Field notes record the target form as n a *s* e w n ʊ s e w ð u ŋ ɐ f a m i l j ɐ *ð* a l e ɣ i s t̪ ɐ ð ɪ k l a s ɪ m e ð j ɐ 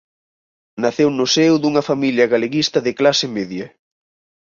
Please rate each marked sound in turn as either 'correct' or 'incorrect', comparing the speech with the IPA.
incorrect: θ, incorrect: ɣ

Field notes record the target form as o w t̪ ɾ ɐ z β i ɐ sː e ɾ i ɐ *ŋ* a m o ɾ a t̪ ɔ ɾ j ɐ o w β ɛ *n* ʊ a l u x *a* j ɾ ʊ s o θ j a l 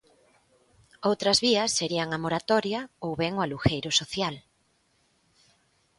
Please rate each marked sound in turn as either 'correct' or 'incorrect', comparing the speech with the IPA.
correct, incorrect: ŋ, incorrect: e

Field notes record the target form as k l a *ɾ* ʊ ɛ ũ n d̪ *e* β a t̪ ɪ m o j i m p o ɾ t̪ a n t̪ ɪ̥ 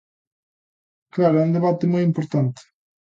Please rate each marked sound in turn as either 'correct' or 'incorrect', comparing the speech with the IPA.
correct, correct

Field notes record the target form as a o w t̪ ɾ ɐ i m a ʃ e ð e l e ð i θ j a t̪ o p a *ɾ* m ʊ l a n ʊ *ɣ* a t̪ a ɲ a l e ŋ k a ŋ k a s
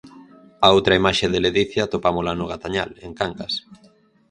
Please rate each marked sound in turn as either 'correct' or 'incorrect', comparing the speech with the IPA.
incorrect: none, correct

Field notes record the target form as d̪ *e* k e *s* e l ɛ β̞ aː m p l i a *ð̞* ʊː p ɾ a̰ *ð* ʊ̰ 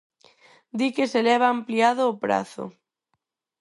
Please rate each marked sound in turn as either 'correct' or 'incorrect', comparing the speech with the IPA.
incorrect: i, correct, correct, incorrect: θ

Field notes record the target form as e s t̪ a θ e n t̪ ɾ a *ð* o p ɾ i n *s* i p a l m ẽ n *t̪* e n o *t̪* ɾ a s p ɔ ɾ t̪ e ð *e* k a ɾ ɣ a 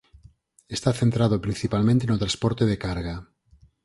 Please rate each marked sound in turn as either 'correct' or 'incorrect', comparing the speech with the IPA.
correct, incorrect: θ, correct, correct, correct

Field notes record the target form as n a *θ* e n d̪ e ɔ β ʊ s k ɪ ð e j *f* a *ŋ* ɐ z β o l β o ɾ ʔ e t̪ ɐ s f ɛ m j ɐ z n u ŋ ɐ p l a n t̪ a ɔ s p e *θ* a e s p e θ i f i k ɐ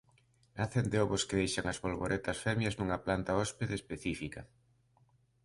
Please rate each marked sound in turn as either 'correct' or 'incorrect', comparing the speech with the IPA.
correct, incorrect: ʃ, correct, incorrect: ð

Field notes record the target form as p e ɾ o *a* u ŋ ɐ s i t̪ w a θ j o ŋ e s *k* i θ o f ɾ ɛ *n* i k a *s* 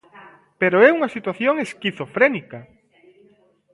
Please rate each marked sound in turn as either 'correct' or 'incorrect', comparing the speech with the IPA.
incorrect: ɛ, correct, correct, incorrect: none

